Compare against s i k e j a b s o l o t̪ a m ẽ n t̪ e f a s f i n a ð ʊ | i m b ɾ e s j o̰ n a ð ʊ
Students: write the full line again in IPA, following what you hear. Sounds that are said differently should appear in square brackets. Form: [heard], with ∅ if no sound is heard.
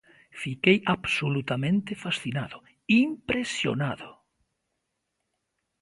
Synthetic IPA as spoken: [f] i k e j a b s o l [u] t̪ a m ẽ n t̪ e f a s [θ] i n a ð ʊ | i m [p] ɾ e s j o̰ n a ð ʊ

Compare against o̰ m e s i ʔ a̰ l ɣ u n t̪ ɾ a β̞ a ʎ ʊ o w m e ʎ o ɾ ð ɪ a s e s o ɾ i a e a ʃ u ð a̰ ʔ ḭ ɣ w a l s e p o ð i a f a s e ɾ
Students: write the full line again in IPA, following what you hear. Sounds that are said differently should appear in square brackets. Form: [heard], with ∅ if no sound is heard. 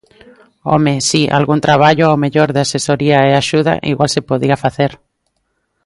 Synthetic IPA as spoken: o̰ m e s i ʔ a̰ l ɣ u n t̪ ɾ a β̞ a ʎ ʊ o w m e ʎ o ɾ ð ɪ a s e s o ɾ i a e a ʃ u ð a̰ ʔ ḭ ɣ w a l s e p o ð i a f a [θ] e ɾ

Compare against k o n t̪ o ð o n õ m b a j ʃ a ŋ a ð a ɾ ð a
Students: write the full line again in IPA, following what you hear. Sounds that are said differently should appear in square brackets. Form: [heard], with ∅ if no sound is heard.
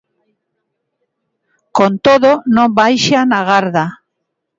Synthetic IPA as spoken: k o n t̪ o ð o n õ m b a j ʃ a [n] a [ɣ] a ɾ ð a

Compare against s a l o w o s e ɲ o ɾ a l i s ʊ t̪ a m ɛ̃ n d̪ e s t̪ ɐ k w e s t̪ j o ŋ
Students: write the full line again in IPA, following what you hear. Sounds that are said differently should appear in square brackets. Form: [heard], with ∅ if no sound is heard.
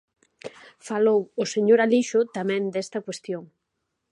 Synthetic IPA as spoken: [f] a l o w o s e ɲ o ɾ a l i [ʃ] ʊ t̪ a m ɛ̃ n d̪ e s t̪ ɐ k w e s t̪ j o ŋ

